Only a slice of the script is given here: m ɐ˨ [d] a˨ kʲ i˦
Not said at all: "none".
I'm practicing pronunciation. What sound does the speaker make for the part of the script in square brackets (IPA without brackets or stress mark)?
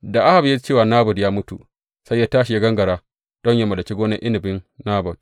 d